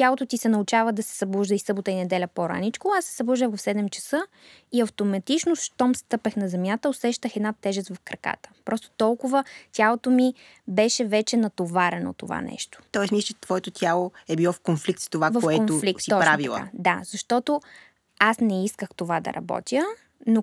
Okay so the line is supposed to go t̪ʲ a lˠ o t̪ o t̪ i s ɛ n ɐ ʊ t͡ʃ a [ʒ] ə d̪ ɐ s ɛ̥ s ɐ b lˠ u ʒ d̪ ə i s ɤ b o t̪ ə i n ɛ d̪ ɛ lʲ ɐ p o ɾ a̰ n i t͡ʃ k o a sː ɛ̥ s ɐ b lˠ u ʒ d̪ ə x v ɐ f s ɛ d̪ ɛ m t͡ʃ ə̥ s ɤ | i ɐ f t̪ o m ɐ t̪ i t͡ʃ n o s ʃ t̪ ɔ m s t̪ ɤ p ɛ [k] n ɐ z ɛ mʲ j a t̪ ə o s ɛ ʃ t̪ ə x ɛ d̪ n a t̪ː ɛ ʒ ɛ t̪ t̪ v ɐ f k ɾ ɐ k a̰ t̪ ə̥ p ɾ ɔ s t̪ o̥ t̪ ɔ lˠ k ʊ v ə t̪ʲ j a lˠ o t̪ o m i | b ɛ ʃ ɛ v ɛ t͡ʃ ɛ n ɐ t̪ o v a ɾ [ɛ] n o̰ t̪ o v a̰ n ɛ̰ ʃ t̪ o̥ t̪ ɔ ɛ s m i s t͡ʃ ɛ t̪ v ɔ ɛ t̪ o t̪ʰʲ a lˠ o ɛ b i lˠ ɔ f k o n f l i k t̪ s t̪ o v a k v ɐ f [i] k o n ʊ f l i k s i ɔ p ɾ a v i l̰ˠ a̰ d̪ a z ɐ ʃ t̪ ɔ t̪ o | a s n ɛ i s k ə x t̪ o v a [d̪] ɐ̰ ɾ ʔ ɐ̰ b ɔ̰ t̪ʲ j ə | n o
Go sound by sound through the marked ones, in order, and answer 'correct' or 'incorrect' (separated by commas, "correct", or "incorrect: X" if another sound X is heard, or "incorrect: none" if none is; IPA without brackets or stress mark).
incorrect: v, incorrect: x, correct, incorrect: ɛ, correct